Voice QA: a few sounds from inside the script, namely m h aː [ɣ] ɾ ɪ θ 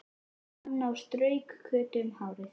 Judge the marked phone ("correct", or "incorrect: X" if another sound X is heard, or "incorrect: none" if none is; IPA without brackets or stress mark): incorrect: w